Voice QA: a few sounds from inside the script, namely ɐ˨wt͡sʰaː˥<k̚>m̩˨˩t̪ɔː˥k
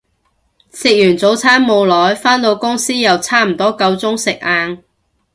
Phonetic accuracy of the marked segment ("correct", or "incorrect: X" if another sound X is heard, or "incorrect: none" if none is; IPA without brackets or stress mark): incorrect: none